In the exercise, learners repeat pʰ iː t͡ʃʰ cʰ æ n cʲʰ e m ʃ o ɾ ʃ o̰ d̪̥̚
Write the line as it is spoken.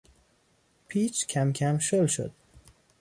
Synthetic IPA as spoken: pʰ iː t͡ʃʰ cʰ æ m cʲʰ æ m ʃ o l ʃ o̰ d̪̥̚